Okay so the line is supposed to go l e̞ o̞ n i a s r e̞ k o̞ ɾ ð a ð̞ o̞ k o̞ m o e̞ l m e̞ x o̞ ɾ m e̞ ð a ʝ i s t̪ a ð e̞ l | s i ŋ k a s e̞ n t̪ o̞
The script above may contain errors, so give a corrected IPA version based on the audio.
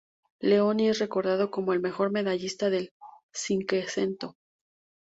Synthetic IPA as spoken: l e̞ o̞ n i e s r e̞ k o̞ ɾ ð a ð̞ o̞ k o̞ m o e̞ l m e̞ x o̞ ɾ m e̞ ð a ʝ i s t̪ a ð e̞ l | s i ŋ k e s e̞ n t̪ o̞